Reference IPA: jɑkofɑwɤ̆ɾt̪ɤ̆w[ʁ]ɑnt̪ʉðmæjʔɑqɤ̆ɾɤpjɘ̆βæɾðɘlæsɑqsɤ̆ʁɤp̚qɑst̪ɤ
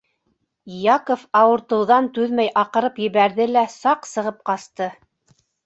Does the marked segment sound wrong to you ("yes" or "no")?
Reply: yes